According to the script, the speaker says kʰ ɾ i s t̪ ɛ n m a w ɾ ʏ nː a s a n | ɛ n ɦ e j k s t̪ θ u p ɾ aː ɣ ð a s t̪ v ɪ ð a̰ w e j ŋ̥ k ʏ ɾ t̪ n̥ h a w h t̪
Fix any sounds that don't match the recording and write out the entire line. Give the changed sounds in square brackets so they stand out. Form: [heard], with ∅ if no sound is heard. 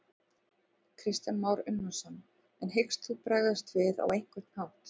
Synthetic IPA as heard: kʰ ɾ [ɪ] s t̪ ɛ n m a w ɾ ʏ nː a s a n | ɛ n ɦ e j k s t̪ θ u p ɾ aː ɣ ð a s t̪ v ɪ ð a̰ w e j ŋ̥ k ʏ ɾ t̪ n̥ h a w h t̪